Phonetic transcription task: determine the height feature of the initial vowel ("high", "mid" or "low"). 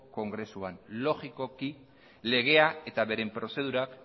mid